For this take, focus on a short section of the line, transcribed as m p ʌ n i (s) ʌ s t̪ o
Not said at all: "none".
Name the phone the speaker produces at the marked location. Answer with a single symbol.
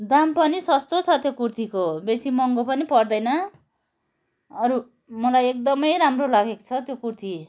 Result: s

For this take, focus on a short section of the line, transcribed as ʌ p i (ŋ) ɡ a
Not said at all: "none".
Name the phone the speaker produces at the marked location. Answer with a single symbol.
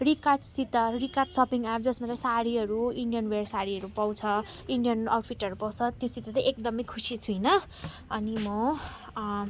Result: ŋ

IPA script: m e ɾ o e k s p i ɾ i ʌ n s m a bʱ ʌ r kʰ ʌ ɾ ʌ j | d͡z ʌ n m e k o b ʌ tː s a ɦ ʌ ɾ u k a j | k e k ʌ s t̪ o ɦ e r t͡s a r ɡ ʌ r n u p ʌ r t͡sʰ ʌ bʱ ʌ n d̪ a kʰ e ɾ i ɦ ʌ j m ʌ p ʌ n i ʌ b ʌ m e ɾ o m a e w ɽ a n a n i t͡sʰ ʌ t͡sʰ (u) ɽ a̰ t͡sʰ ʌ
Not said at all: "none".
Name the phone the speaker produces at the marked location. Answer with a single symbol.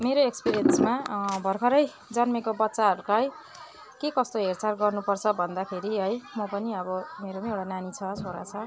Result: o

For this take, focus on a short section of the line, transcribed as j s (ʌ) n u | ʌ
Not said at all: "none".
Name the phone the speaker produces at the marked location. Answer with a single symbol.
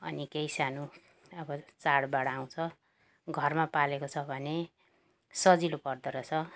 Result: a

